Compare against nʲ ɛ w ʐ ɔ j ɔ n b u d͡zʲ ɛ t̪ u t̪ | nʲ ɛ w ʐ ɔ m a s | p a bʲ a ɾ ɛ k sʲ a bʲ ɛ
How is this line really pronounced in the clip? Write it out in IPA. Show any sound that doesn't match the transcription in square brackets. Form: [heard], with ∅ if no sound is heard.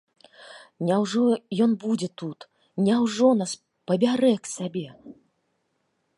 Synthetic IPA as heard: nʲ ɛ w ʐ ɔ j ɔ n b u d͡zʲ ɛ t̪ u t̪ | nʲ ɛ w ʐ ɔ [n] a s | p [ɐ] bʲ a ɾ ɛ k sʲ a bʲ ɛ